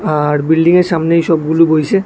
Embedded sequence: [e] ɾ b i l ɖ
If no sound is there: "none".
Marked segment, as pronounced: a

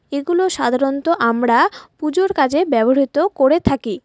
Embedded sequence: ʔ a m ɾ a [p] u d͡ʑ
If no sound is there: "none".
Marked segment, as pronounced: p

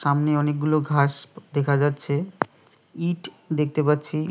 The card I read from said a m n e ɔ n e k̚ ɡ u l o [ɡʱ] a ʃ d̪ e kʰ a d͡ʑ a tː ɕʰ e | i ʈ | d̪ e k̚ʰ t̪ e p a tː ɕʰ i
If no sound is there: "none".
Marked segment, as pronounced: ɡʱ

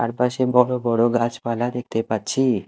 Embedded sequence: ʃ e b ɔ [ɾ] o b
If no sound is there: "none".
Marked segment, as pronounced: ɽ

